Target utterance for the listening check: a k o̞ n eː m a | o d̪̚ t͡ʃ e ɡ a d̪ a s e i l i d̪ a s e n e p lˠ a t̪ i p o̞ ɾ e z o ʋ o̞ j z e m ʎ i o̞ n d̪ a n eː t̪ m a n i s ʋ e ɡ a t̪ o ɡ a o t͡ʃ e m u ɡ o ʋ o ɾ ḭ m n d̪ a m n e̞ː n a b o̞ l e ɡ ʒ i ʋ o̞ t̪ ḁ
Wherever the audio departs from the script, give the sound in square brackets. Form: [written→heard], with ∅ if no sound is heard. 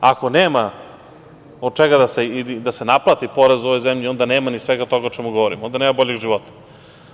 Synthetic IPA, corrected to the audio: a k o̞ n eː m a | o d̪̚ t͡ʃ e ɡ a d̪ a s e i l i d̪ a s e n [e→a] p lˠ a t̪ i p o̞ ɾ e z o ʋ o̞ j z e m ʎ i o̞ n d̪ a n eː [t̪→∅] m a n i s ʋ e ɡ a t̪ o ɡ a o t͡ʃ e m u ɡ o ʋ o ɾ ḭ m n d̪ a [m→∅] n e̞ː [n→m] a b o̞ [l→ʎ] e ɡ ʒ i ʋ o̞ t̪ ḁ